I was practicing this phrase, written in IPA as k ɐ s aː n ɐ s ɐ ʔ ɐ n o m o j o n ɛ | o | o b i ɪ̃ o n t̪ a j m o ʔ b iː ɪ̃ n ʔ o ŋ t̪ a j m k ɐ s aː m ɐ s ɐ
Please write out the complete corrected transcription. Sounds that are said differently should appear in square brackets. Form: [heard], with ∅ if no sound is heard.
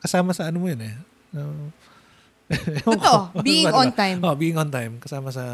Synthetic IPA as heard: k ɐ s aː [m] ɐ s ɐ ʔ ɐ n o m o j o n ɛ | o | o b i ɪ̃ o n t̪ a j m o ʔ b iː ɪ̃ [ŋ] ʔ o [n] t̪ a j m k ɐ s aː m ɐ s ɐ